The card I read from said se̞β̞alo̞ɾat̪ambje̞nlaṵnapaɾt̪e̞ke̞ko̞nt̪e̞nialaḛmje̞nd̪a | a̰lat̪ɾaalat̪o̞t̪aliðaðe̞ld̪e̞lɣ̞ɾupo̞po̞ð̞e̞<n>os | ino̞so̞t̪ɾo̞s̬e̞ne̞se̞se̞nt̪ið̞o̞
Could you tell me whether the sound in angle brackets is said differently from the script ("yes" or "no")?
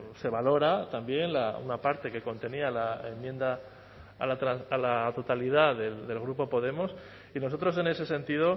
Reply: yes